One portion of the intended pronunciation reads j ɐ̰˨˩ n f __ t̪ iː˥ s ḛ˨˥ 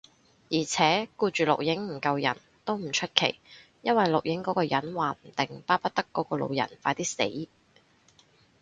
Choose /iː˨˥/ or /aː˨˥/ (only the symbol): aː˨˥